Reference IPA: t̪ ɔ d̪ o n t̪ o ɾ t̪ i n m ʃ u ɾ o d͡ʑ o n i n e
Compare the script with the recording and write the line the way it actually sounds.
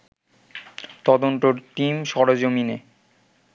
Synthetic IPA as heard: t̪ ɔ d̪ o n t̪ o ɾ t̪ i m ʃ ɔ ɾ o d͡ʑ o m i n e